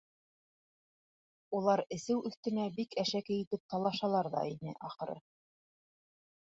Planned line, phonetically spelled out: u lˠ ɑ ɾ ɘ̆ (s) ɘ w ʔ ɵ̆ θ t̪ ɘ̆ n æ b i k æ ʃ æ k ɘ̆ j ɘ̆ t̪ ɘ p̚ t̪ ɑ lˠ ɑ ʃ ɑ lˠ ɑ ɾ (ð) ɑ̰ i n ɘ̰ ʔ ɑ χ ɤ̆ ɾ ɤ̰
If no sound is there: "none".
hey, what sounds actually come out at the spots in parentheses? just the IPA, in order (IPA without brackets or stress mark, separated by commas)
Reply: s, ð